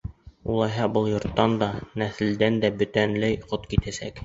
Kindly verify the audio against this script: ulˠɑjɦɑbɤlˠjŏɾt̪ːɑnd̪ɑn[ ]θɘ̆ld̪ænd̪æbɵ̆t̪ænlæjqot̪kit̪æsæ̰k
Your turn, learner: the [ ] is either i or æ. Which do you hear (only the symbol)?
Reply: æ